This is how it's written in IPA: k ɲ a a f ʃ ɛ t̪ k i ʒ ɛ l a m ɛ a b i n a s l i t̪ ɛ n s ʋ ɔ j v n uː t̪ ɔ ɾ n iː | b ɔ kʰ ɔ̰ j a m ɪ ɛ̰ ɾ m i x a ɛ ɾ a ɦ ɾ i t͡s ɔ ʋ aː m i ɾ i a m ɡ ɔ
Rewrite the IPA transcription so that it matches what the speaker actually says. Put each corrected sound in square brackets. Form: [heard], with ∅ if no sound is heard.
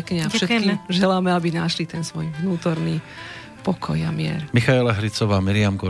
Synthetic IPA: k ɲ [ɛ] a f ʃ ɛ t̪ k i ʒ ɛ l a m ɛ a b i n a [ʃ] l i t̪ ɛ n s ʋ ɔ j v n uː t̪ ɔ ɾ n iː | [p] ɔ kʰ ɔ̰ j a m ɪ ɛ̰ ɾ m i x a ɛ [l] a ɦ ɾ i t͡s ɔ ʋ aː m i ɾ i a m ɡ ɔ